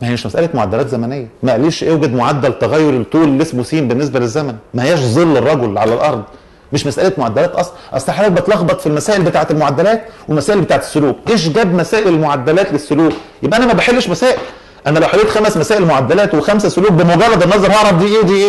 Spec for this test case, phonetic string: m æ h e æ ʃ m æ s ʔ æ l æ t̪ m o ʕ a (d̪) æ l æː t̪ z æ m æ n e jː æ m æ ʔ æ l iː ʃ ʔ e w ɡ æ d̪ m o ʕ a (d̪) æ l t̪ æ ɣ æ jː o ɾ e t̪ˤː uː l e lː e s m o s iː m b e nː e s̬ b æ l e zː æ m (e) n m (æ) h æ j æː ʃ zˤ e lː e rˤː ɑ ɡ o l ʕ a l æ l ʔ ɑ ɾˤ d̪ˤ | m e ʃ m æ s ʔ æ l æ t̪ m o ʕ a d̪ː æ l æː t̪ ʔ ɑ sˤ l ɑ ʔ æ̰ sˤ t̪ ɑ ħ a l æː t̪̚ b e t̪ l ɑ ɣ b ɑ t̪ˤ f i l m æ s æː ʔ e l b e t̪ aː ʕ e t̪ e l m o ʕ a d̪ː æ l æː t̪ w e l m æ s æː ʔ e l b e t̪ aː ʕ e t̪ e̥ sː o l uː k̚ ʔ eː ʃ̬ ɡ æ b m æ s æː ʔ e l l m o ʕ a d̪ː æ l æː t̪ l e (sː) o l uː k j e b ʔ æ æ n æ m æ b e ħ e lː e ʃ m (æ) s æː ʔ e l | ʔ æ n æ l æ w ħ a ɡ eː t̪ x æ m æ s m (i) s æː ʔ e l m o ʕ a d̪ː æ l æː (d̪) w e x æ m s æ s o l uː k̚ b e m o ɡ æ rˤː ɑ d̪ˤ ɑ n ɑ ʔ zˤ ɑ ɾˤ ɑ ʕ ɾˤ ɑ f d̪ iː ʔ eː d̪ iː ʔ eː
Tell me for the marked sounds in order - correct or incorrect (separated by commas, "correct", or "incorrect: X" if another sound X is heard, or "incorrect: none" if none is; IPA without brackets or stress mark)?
incorrect: d̪ː, incorrect: d̪ː, incorrect: æ, correct, correct, correct, incorrect: æ, incorrect: t̪